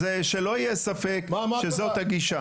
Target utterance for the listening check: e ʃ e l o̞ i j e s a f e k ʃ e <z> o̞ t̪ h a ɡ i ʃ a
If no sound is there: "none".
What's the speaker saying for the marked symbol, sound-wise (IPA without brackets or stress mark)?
z